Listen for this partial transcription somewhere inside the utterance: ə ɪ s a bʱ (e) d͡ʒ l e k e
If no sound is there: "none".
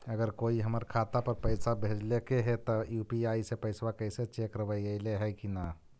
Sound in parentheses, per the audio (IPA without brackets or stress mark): e